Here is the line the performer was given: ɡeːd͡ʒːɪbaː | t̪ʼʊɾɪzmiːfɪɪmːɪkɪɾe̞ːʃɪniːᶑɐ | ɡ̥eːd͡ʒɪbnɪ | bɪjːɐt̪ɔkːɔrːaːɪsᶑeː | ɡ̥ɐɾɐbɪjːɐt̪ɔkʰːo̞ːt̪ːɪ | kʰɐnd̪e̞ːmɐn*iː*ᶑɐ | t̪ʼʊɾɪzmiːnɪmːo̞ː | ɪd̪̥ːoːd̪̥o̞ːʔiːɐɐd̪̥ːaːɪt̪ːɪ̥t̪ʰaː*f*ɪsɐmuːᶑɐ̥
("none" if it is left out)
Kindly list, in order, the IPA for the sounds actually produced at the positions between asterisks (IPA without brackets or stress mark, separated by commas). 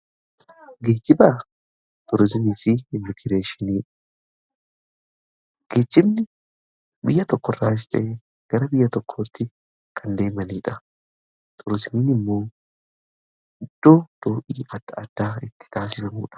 iː, s